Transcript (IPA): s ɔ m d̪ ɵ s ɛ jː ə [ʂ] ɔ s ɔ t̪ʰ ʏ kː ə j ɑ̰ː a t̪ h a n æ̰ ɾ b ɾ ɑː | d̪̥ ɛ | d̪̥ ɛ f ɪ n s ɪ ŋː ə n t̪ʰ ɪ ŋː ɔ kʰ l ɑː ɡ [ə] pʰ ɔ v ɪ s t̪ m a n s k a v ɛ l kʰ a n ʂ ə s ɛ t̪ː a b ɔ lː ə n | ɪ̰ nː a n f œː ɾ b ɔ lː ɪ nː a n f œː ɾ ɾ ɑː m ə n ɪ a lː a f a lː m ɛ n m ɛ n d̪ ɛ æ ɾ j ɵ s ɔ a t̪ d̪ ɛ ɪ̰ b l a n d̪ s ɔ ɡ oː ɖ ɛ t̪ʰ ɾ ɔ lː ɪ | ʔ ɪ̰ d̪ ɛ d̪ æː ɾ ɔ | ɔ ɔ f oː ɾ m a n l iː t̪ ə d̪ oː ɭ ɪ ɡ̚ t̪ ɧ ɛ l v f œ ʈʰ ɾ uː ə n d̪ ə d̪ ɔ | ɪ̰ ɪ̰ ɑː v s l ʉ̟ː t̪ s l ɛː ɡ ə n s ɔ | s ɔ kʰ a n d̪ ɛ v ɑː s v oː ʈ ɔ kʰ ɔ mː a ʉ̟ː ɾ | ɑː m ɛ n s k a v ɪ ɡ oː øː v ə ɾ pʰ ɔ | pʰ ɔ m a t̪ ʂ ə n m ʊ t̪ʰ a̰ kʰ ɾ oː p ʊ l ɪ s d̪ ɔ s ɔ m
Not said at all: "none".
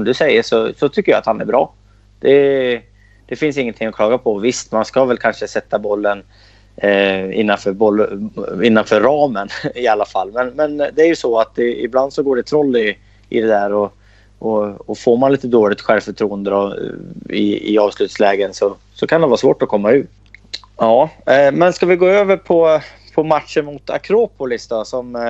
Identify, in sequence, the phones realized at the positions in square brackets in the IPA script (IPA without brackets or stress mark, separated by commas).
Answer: ʂ, a